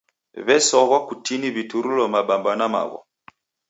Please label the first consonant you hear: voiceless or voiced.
voiced